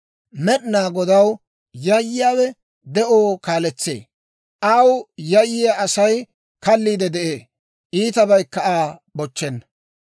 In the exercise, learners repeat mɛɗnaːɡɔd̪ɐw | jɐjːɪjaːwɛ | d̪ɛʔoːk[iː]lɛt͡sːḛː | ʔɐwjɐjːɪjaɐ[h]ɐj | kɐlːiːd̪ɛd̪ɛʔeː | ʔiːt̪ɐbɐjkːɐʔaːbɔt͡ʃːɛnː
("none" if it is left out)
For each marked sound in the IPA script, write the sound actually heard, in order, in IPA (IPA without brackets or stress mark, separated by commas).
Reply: aː, s